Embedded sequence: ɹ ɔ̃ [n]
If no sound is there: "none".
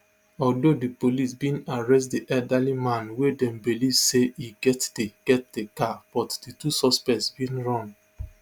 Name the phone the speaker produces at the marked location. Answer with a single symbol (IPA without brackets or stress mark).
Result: n